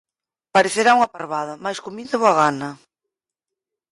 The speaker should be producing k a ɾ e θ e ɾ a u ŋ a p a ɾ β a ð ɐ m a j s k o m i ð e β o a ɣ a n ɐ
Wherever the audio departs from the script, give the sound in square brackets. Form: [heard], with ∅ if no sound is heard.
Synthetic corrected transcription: [p] a ɾ e θ e ɾ a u ŋ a p a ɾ β a ð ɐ m a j s k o m i ð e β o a ɣ a n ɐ